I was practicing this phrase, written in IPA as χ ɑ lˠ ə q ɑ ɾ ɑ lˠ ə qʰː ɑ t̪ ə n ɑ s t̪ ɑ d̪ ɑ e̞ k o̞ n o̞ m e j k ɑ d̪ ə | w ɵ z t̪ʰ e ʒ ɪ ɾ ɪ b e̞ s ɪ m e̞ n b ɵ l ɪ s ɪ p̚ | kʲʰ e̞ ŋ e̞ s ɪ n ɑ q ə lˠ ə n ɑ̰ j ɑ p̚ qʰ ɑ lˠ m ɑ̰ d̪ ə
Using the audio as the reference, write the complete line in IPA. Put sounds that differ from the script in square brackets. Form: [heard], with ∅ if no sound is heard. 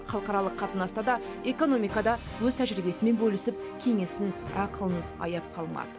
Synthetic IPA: χ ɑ lˠ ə q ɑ ɾ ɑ lˠ ə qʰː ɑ t̪ ə n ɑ s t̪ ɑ d̪ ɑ e̞ k o̞ n o̞ m [i] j k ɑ d̪ [ɑ] | w ɵ z t̪ʰ [æ] ʒ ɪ ɾ ɪ b e̞ s ɪ m e̞ n b ɵ l ɪ s ɪ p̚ | kʲʰ e̞ ŋ e̞ s ɪ n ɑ q ə lˠ ə n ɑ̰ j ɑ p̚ qʰ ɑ lˠ m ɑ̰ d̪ ə